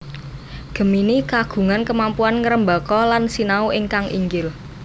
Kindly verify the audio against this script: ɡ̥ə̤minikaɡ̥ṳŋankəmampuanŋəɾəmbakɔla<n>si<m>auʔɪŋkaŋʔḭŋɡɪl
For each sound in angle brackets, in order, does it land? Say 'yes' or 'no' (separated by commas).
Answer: yes, no